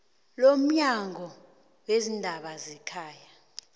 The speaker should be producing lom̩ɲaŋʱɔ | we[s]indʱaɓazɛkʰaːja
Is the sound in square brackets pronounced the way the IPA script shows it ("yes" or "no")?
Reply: no